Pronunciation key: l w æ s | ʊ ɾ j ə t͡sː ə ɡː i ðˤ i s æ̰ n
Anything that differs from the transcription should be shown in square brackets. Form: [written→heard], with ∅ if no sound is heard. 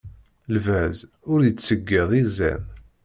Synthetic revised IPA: l [w→v] æ [s→z] | ʊ ɾ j ə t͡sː ə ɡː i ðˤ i [s→z] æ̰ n